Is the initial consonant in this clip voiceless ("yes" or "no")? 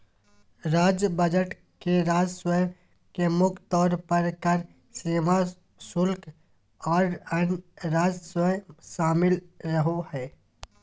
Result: no